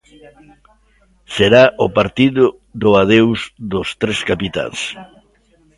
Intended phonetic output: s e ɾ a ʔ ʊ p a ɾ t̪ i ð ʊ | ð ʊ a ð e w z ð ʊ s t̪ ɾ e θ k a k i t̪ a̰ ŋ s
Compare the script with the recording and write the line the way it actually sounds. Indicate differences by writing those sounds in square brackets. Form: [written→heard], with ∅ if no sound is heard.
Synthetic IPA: s e ɾ a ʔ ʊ p a ɾ t̪ i ð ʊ | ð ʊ a ð e w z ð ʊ s t̪ ɾ e [θ→s] k a [k→p] i t̪ a̰ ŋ s